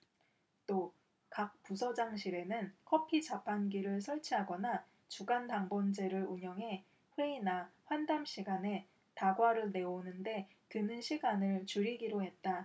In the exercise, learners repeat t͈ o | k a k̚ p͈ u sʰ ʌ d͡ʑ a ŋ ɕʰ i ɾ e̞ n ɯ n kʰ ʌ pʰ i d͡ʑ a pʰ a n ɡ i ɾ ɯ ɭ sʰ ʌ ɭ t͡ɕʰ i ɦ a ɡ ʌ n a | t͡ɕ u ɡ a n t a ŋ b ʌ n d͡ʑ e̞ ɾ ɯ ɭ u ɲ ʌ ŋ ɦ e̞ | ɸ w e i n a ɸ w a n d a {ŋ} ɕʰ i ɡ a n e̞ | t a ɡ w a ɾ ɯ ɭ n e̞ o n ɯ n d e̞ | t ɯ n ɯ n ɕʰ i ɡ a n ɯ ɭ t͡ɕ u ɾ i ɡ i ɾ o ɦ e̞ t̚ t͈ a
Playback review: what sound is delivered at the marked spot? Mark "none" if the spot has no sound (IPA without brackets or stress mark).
m